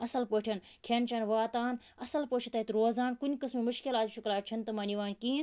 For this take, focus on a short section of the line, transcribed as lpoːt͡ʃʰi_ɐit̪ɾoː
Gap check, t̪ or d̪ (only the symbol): t̪